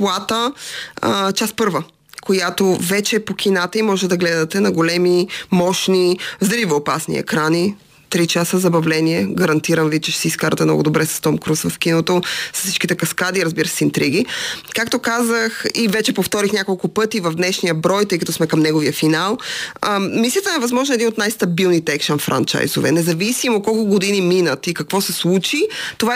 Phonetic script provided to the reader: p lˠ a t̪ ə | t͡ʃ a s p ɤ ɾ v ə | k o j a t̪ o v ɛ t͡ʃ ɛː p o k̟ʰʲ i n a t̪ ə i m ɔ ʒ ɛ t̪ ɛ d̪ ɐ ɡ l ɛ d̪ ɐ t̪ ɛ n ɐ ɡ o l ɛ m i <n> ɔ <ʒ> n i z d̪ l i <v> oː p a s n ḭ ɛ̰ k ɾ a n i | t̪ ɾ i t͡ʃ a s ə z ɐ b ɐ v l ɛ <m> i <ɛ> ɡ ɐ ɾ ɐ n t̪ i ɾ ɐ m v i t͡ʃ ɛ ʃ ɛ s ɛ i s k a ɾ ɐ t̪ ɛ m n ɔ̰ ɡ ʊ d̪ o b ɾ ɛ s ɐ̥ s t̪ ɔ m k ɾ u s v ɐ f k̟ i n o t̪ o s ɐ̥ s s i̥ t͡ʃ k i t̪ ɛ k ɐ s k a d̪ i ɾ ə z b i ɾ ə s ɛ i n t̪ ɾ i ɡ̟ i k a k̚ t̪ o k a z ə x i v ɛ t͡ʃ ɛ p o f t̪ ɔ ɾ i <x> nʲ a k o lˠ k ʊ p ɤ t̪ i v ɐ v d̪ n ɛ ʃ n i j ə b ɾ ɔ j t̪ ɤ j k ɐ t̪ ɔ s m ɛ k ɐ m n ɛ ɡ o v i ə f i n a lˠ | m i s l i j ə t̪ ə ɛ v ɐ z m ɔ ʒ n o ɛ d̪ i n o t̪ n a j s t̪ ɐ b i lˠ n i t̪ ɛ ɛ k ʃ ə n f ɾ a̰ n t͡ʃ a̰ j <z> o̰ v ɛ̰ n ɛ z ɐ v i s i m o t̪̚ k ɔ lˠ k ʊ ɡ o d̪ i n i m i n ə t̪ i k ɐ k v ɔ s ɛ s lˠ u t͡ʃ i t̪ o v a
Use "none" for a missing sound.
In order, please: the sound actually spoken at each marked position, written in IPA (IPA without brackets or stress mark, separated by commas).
m, ʃ, v, n, ɛ, x, z